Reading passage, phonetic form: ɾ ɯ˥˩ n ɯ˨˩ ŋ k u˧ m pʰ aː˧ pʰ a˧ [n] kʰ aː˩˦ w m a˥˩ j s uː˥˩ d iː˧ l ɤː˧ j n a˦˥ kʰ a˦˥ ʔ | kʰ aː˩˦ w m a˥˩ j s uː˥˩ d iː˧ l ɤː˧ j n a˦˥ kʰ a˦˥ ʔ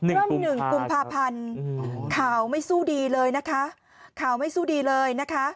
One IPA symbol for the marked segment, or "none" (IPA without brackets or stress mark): n